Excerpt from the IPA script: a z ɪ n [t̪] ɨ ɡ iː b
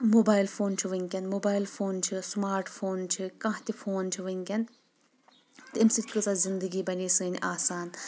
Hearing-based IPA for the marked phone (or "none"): d̪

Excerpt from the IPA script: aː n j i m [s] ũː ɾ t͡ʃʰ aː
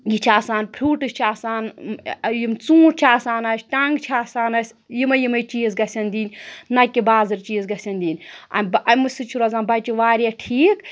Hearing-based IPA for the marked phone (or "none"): t͡s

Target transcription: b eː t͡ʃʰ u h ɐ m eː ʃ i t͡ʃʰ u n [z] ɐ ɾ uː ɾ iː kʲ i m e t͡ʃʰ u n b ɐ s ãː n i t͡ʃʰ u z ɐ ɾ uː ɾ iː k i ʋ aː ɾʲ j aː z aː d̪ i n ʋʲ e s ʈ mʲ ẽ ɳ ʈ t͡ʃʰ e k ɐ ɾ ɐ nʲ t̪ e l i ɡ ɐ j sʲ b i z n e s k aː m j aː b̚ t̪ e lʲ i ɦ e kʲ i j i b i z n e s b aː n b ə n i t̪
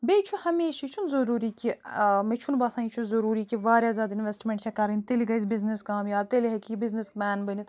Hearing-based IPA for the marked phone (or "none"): z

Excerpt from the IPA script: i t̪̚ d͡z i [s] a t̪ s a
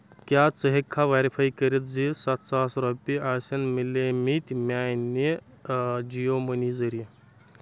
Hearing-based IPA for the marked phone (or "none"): s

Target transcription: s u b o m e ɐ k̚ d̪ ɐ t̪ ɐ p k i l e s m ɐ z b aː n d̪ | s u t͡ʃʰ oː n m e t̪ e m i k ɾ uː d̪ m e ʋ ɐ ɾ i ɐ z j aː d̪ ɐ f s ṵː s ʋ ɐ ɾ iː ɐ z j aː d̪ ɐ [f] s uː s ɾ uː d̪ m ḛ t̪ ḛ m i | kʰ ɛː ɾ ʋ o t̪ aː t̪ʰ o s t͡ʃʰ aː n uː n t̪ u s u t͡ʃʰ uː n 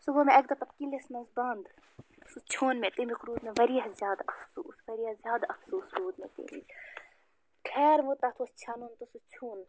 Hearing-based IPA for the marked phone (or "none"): f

